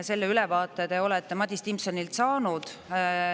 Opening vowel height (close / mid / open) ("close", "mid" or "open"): mid